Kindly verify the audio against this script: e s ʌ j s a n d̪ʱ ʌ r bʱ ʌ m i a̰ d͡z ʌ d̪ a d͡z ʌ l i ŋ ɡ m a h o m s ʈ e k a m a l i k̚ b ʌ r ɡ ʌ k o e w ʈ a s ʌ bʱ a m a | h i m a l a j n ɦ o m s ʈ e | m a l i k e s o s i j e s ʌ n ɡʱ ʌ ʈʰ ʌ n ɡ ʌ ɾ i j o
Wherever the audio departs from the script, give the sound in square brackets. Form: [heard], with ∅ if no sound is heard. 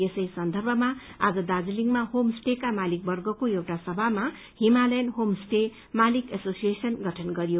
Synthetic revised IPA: e s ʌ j s [ʌ] n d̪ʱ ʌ r bʱ ʌ m [a] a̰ d͡z ʌ d̪ a d͡z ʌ l i ŋ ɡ m a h o m s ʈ e k a m a l i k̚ b ʌ r ɡ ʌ k o e w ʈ a s ʌ bʱ a m a | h i m a l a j n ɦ o m s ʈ e | m a l i k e s o s i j e s ʌ n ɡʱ ʌ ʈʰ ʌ n ɡ ʌ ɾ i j o